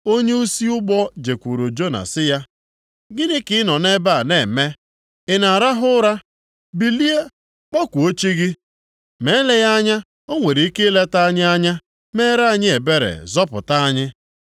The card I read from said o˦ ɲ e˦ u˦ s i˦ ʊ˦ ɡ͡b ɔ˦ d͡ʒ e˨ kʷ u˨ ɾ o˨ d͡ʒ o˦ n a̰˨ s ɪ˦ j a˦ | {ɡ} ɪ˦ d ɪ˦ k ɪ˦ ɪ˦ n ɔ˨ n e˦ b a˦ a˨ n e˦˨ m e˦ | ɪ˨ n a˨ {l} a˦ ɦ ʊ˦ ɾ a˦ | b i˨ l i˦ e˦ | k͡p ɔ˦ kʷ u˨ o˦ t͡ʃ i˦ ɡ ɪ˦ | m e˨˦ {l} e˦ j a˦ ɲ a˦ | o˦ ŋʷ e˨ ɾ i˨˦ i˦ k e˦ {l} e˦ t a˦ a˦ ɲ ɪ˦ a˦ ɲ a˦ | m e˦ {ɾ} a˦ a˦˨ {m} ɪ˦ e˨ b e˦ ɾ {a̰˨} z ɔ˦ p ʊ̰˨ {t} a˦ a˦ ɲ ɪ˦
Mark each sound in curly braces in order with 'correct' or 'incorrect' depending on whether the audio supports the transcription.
correct, incorrect: ɾ, correct, correct, correct, incorrect: ɲ, incorrect: ḛ˨, correct

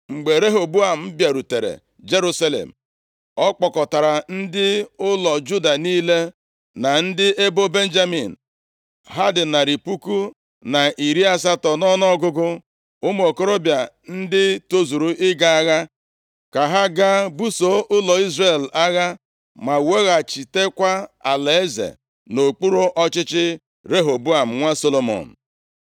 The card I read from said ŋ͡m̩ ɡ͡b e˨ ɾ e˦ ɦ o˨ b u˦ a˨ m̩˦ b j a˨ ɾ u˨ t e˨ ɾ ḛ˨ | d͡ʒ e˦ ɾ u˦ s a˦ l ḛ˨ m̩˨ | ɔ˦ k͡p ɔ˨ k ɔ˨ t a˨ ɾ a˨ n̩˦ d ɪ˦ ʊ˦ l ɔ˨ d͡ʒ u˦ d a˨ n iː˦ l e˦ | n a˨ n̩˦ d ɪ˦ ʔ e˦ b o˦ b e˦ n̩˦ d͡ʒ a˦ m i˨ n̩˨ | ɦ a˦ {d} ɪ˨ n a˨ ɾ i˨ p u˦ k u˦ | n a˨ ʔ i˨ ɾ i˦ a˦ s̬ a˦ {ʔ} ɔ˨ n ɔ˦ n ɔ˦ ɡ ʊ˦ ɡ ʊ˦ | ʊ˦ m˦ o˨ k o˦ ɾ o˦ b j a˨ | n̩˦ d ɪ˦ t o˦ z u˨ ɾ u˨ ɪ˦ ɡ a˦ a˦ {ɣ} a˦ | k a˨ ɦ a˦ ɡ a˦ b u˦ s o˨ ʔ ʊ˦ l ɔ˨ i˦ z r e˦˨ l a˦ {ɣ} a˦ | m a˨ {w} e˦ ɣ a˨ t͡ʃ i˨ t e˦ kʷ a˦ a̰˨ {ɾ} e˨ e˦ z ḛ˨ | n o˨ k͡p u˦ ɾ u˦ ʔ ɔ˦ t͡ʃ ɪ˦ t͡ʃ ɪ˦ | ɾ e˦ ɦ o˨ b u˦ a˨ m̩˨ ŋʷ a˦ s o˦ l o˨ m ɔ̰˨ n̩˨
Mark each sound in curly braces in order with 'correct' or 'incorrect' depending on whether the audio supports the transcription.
correct, incorrect: t, correct, correct, correct, incorrect: l

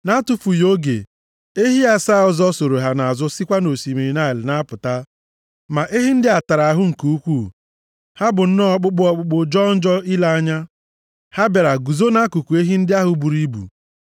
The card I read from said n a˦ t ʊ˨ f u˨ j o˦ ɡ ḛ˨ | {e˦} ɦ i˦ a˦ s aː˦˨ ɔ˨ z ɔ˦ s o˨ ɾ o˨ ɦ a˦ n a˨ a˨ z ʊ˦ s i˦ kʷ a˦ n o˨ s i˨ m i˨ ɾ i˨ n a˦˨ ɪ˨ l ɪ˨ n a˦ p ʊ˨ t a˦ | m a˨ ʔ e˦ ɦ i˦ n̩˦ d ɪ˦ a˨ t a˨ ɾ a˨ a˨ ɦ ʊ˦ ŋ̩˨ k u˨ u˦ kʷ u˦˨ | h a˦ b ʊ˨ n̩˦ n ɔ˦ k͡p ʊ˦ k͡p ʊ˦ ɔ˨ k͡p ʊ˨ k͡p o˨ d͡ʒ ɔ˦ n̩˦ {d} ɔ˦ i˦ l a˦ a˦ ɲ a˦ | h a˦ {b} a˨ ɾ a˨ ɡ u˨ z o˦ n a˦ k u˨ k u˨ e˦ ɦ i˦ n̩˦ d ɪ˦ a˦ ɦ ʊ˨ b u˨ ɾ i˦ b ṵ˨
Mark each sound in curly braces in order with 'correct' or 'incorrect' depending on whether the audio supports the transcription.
correct, incorrect: d͡ʒ, correct

